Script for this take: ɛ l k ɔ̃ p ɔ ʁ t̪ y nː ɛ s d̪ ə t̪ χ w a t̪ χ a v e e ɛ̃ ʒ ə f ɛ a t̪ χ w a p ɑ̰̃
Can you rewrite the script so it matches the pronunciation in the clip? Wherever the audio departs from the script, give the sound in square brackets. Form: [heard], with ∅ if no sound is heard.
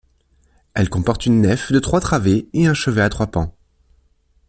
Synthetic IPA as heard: ɛ l k ɔ̃ p ɔ ʁ t̪ y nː ɛ [f] d̪ ə t̪ χ w a t̪ χ a v e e ɛ̃ [ʃ] ə [v] ɛ a t̪ χ w a p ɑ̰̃